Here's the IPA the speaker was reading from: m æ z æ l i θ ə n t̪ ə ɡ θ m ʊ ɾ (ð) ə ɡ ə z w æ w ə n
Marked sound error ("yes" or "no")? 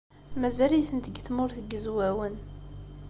yes